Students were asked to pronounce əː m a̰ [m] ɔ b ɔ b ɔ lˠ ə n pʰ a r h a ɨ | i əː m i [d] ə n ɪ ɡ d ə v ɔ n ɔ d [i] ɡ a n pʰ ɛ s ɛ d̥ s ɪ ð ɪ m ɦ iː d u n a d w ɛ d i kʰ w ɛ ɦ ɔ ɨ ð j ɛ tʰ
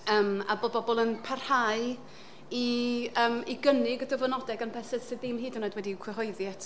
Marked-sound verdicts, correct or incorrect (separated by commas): incorrect, incorrect, incorrect